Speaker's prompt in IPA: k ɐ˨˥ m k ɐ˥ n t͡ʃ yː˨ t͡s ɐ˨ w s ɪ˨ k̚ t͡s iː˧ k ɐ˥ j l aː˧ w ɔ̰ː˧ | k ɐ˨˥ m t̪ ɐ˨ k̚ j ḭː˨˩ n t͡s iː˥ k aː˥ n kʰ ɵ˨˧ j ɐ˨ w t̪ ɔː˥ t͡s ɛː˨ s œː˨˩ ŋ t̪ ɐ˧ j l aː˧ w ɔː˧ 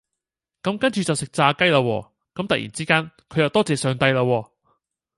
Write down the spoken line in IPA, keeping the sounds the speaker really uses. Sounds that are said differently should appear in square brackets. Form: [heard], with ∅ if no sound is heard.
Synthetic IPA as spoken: k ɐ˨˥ m k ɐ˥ n t͡ʃ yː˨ t͡s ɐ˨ w s ɪ˨ k̚ t͡s [aː˧] k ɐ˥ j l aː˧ w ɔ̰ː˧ | k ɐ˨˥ m t̪ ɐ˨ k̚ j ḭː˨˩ n t͡s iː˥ k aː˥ n kʰ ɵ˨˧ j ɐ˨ w t̪ ɔː˥ t͡s ɛː˨ s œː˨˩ ŋ t̪ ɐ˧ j l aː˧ w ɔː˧